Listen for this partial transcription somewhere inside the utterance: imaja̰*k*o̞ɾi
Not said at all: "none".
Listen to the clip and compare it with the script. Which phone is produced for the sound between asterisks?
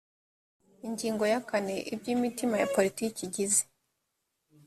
p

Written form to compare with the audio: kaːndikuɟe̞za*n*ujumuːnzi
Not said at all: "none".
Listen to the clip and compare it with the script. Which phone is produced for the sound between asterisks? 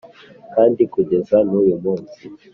n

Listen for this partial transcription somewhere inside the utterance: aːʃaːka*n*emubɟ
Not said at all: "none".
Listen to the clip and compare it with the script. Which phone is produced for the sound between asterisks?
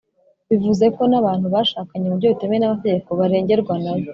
ɲ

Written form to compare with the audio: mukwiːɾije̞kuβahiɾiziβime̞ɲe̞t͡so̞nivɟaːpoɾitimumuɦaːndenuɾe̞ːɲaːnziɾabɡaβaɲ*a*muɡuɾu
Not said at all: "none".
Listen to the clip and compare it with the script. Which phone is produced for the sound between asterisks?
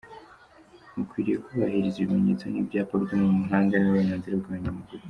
a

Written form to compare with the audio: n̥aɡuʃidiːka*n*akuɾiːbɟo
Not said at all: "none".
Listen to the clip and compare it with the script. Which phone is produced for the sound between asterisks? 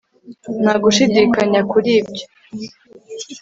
ɲ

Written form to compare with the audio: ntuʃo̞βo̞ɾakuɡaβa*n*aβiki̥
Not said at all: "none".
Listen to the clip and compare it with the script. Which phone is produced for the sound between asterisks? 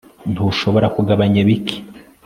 ɲ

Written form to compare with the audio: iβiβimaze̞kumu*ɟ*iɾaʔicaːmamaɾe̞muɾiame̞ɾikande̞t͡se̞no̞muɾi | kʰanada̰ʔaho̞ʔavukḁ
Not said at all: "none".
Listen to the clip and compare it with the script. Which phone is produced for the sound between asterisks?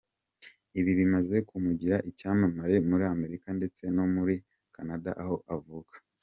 ɟ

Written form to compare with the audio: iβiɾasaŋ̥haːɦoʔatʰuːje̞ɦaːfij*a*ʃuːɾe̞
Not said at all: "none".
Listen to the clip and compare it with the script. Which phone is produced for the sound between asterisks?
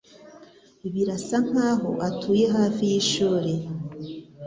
i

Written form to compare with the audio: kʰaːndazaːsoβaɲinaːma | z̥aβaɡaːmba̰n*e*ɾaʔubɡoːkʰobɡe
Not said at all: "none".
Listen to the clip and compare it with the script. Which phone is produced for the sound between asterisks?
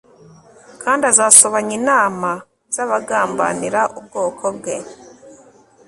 i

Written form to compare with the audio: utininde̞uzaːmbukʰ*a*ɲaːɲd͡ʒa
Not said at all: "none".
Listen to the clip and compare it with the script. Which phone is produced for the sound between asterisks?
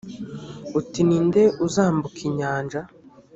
i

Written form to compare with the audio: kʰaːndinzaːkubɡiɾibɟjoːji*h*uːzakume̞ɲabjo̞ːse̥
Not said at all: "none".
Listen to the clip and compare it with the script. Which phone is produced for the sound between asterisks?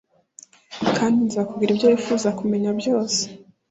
f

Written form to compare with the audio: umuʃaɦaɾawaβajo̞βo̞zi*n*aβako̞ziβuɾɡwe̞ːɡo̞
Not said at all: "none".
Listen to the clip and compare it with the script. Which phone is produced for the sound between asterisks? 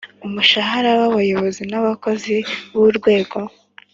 n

